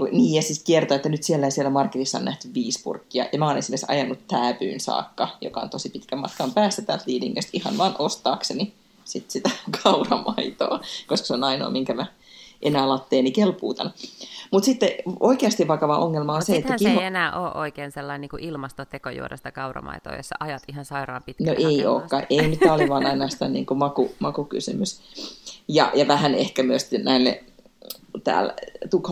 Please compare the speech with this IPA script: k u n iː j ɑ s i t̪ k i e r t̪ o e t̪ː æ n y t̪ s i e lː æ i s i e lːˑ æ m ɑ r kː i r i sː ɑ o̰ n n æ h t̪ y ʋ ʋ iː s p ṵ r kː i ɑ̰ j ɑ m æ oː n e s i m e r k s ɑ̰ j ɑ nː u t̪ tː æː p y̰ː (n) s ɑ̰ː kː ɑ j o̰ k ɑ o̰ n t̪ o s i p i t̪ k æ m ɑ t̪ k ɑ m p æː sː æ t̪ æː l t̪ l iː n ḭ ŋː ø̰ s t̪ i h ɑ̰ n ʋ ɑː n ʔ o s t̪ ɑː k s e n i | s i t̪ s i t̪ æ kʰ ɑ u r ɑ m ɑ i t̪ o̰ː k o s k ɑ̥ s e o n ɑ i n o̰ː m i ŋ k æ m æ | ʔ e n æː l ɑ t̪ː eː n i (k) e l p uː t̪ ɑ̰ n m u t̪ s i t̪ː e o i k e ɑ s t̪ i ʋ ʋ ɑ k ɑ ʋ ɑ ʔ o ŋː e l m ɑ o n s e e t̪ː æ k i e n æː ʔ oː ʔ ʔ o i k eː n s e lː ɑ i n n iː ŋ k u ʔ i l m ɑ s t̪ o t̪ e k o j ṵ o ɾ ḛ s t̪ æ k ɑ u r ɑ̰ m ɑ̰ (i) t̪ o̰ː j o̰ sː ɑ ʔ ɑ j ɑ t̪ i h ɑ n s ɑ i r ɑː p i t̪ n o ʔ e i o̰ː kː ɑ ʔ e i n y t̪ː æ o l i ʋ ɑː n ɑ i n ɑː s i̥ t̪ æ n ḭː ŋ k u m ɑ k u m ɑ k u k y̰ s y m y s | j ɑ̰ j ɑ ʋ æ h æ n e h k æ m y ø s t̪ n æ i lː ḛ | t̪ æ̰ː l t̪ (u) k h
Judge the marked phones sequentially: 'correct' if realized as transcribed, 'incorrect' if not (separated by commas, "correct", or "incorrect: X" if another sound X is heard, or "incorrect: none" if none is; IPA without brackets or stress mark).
correct, correct, correct, correct